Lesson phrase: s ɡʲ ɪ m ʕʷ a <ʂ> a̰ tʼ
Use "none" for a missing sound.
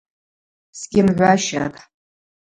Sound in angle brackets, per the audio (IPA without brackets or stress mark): ʃ